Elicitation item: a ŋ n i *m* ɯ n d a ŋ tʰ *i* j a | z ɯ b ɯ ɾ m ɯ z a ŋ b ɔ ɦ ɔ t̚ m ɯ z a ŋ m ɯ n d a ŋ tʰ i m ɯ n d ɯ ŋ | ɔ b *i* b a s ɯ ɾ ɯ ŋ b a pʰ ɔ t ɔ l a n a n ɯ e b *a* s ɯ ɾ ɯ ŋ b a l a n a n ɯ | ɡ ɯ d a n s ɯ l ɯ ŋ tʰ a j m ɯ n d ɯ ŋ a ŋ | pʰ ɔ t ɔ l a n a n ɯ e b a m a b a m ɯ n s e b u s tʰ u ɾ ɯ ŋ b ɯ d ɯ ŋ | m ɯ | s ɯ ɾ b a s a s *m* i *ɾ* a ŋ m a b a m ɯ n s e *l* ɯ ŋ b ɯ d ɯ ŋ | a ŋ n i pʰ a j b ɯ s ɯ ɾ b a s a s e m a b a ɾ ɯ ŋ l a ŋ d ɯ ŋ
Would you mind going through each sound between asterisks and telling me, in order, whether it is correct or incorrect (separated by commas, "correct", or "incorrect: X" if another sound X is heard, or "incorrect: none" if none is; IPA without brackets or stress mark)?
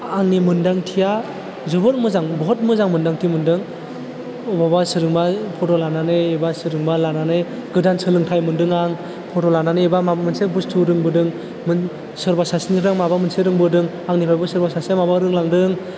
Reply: correct, correct, incorrect: a, correct, incorrect: n, correct, incorrect: ɾ